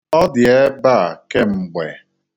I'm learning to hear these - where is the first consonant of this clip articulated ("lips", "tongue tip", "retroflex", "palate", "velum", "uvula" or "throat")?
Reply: tongue tip